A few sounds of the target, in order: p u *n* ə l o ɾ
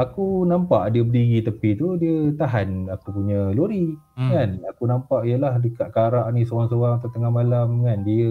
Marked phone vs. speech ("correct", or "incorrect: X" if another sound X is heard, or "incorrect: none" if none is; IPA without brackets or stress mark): incorrect: ɲ